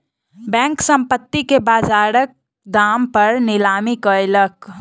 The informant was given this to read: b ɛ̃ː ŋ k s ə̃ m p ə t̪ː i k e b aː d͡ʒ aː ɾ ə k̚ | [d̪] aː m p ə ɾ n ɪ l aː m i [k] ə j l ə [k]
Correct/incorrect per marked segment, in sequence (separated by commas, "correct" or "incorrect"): correct, correct, correct